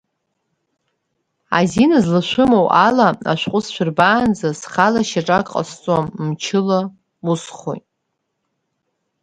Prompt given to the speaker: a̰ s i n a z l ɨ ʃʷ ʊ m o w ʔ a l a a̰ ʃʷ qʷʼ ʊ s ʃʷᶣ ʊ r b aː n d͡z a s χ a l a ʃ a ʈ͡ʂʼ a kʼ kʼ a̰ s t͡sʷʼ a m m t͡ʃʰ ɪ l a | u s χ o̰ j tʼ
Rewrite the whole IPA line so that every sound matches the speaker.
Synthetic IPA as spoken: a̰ z i n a z l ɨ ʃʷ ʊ m o w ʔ a l a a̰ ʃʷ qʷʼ ʊ s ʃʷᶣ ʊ r b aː n d͡z a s χ a l a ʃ a ʈ͡ʂʼ a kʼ qʼ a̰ s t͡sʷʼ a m m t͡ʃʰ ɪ l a | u s χ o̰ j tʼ